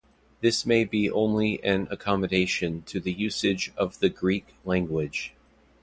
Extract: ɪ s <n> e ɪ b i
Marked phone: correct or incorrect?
incorrect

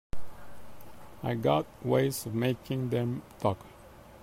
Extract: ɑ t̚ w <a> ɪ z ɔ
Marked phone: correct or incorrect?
incorrect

